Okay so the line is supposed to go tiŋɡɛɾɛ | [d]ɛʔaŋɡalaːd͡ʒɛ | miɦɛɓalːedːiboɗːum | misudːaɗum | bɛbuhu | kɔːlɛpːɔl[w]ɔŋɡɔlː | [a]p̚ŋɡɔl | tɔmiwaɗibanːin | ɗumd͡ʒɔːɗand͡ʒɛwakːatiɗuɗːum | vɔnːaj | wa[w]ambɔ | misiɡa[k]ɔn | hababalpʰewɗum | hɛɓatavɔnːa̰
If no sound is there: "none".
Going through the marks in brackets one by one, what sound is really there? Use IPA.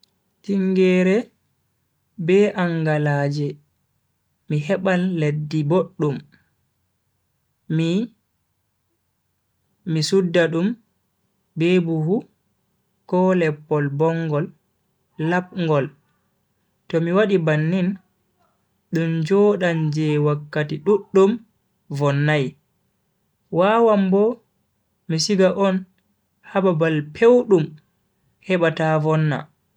b, b, a, w, ʔ

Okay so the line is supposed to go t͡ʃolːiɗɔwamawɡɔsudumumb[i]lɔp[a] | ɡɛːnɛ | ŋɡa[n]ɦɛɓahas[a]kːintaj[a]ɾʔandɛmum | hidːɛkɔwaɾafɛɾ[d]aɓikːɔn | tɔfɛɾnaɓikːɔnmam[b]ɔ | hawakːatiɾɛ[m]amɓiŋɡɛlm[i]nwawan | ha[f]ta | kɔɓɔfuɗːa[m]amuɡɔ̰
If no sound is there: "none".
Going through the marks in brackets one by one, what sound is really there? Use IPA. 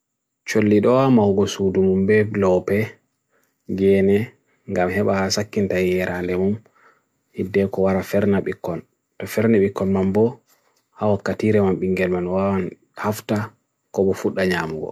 ɛ, ɛ, m, a, ɛ, n, b, m, a, f, ɲ

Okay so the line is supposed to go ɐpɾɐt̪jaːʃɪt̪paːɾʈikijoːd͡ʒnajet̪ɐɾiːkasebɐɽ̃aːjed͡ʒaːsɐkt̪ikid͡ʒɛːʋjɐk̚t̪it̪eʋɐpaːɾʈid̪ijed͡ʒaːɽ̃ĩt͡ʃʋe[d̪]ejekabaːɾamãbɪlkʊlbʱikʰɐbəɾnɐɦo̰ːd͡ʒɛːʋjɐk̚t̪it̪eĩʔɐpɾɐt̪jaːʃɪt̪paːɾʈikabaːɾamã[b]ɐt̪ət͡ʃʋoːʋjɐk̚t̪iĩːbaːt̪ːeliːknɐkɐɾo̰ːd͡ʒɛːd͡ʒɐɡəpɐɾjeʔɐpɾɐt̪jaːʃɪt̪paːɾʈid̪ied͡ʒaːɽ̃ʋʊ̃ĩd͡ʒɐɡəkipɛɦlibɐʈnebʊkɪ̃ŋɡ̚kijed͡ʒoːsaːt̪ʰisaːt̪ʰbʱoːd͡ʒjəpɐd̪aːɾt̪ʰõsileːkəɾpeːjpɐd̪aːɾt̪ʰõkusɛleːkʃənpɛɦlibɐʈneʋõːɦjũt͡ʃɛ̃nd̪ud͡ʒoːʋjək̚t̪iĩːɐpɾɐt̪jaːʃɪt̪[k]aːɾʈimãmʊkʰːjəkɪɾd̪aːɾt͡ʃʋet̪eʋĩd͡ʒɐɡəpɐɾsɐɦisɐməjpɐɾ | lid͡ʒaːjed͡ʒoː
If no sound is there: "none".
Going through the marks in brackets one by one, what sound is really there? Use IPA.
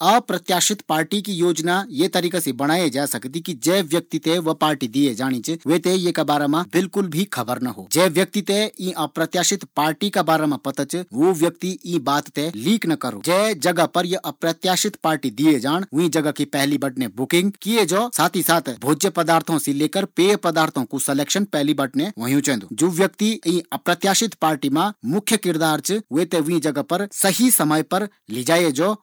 t̪, p, p

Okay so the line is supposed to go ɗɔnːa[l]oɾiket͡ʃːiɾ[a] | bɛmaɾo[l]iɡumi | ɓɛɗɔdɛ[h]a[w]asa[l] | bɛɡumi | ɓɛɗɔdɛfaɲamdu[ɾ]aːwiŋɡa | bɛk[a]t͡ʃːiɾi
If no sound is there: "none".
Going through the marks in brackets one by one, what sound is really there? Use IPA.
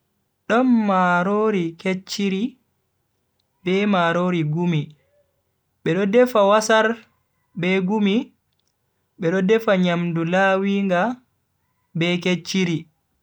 ɾ, i, ɾ, f, w, ɾ, l, e

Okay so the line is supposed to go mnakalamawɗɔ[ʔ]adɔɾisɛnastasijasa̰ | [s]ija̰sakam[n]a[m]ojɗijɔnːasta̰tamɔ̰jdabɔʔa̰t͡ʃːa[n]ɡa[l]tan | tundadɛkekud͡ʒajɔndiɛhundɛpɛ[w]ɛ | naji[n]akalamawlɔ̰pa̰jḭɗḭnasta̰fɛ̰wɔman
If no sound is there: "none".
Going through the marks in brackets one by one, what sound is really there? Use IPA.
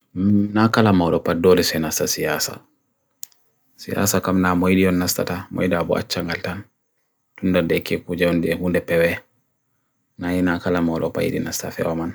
p, s, n, m, ŋ, l, w, n

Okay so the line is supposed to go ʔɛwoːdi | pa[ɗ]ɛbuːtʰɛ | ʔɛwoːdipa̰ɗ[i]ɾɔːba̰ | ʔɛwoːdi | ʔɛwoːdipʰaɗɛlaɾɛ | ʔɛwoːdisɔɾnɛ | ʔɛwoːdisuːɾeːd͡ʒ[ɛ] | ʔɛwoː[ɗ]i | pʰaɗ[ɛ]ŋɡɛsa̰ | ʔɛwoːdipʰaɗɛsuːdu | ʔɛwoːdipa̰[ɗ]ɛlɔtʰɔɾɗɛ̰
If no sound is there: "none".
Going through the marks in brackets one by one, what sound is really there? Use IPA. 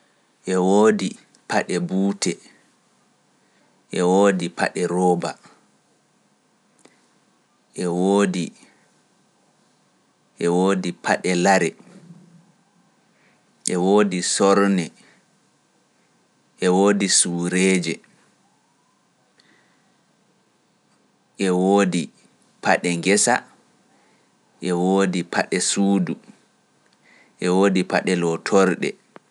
ɗ, ɛ, ɛ, d, ɛ, ɗ

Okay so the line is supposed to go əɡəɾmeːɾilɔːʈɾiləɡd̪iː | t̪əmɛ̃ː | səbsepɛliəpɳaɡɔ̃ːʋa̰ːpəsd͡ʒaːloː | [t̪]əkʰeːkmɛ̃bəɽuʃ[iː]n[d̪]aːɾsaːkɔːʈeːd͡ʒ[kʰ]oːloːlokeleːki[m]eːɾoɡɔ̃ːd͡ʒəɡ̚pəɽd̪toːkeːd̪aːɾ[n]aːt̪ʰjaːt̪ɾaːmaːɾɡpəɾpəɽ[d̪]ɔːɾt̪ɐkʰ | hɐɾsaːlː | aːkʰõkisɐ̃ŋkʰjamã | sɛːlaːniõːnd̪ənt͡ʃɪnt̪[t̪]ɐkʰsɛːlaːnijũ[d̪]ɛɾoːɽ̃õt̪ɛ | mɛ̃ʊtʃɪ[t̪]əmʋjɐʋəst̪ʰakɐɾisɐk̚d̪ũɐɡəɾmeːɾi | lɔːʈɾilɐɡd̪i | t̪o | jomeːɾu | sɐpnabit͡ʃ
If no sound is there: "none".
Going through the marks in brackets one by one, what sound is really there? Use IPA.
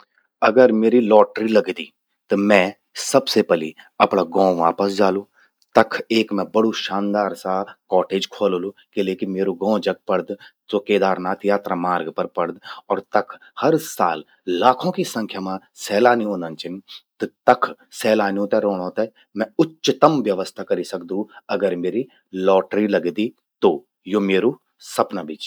t̪, aː, d̪, kʰ, m, n, d̪, t̪, t̪, t̪

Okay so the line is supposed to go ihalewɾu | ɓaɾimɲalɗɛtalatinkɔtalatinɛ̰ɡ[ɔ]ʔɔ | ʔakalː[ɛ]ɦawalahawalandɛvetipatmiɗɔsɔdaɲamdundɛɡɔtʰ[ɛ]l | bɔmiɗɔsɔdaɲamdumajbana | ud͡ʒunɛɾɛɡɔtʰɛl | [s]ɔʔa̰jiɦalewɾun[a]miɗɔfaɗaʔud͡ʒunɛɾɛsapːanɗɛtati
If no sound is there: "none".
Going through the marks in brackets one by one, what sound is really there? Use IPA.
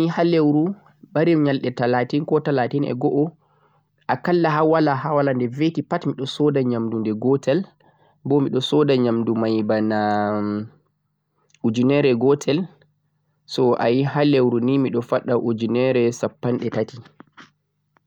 ɔ, a, ɛ, s, i

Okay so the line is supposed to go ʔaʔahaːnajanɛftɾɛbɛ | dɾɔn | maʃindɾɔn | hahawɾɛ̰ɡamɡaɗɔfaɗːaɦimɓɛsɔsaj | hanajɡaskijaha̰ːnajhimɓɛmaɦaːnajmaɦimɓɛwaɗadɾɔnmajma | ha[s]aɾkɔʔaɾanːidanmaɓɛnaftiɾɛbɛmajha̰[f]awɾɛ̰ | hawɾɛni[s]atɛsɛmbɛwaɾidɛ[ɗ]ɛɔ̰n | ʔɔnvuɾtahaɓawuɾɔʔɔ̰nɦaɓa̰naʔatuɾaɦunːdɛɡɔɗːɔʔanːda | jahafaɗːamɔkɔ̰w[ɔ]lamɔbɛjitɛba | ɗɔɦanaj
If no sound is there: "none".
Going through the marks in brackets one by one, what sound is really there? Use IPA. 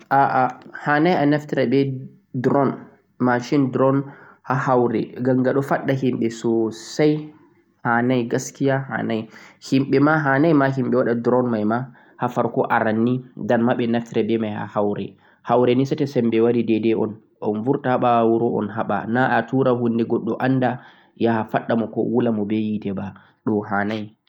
f, h, s, d, u

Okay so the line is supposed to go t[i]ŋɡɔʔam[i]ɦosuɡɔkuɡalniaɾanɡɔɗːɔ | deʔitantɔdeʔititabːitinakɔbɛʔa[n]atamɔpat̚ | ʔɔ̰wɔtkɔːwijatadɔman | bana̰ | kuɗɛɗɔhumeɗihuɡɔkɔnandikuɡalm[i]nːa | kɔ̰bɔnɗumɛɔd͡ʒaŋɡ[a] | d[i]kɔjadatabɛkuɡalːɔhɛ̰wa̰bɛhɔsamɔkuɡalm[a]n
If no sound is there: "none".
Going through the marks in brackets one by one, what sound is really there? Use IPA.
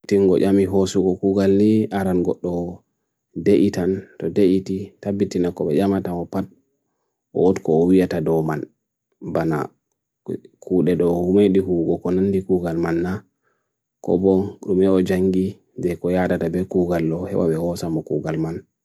i, i, m, a, i, ɛ, a

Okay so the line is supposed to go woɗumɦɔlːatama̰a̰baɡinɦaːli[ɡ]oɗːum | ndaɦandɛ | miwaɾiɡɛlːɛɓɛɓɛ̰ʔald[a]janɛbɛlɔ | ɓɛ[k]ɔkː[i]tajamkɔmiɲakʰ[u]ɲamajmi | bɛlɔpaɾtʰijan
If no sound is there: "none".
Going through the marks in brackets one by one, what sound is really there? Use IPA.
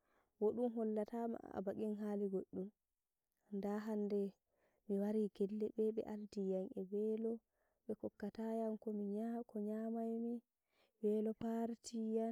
ɡ, i, k, a, ɔ

